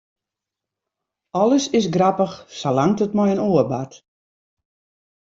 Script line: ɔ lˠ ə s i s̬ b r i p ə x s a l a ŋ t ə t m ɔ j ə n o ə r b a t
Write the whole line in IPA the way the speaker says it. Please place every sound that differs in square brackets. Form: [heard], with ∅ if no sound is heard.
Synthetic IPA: ɔ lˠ ə s [ɪ] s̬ [ɡ] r [a] p ə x s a l a ŋ t ə t m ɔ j ə n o ə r b a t